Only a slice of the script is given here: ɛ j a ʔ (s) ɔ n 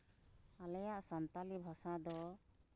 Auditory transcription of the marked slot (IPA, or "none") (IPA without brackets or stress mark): s